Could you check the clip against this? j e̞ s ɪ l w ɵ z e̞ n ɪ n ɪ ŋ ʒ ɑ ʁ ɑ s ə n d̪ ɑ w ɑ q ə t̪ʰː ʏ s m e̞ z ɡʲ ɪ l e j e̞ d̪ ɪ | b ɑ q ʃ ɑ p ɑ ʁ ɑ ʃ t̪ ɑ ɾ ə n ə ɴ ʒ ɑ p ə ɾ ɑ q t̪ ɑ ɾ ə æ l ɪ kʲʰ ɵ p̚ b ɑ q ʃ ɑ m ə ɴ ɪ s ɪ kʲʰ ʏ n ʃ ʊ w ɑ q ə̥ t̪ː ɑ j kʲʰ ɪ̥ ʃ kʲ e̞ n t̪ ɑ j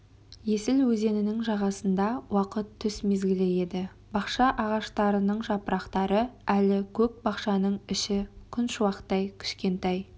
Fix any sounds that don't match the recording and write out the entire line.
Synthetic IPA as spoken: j e̞ s ɪ l w ɵ z e̞ n ɪ n ɪ ŋ ʒ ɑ ʁ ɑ s ə n d̪ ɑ w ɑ q ə t̪ʰː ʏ s m e̞ z ɡʲ ɪ l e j e̞ d̪ ɪ | b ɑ q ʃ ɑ ʔ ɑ ʁ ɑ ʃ t̪ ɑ ɾ ə n ə ɴ ʒ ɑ p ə ɾ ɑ q t̪ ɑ ɾ ə æ l ɪ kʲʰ ɵ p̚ b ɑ q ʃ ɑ n ə ɴ ɪ ʃ ɪ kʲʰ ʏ n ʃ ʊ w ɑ q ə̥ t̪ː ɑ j kʲʰ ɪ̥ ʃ kʲ e̞ n t̪ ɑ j